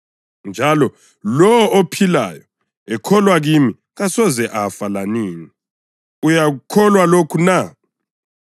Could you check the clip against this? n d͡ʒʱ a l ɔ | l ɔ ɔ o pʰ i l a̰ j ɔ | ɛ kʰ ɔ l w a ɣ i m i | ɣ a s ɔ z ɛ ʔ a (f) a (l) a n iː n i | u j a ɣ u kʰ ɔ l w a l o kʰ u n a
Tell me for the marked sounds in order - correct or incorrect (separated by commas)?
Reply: correct, correct